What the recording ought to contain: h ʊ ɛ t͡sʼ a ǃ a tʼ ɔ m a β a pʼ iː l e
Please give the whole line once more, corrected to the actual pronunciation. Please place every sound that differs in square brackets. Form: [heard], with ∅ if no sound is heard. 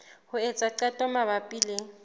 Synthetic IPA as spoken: h ʊ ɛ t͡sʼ a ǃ a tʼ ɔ m a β a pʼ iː l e